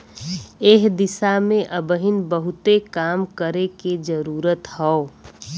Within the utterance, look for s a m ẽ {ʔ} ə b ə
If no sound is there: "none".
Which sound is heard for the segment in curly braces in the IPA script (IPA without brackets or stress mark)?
ʔ